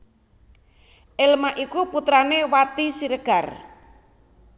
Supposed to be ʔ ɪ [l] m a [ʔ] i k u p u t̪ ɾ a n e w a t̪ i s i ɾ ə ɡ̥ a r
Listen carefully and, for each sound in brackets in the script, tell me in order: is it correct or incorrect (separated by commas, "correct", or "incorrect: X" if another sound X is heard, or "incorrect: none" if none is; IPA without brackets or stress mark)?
correct, correct